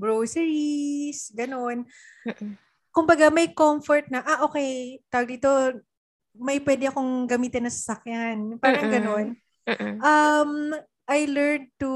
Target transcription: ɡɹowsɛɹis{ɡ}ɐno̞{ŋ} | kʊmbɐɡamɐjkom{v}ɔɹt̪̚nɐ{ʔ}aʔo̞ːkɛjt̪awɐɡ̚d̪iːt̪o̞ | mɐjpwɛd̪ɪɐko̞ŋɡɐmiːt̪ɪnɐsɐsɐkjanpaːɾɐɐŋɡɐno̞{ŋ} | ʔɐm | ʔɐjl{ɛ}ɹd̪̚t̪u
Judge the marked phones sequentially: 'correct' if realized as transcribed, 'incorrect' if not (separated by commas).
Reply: correct, incorrect, incorrect, correct, incorrect, correct